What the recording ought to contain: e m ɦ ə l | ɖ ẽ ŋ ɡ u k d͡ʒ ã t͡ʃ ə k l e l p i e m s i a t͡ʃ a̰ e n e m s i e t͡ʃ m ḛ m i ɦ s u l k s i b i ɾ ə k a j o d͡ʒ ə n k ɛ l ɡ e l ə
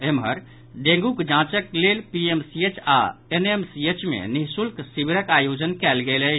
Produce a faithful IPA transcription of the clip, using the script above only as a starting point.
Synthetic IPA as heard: e m ɦ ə ɾ | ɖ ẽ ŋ ɡ u k d͡ʒ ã t͡ʃ ə k l e l p i e m s i e t͡ʃ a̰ e n e m s i e t͡ʃ m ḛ n i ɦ s u l k s i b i ɾ ə k a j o d͡ʒ ə n k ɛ l ɡ e l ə